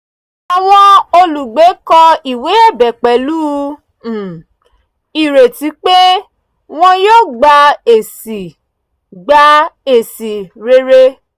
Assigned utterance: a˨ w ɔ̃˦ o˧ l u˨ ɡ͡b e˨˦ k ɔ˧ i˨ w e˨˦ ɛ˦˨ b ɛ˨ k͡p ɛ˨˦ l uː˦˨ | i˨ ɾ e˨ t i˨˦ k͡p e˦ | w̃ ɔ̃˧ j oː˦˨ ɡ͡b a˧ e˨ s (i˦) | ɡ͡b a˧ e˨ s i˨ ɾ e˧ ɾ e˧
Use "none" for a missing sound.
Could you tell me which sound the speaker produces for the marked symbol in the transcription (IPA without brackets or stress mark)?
i˨